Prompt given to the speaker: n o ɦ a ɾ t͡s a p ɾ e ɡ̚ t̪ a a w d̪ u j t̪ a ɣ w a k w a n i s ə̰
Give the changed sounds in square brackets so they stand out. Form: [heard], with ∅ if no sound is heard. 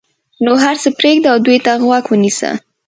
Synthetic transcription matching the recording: n o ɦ a ɾ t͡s [ə] p ɾ e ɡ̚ [d̪] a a w d̪ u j t̪ a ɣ w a k w [ə] n i s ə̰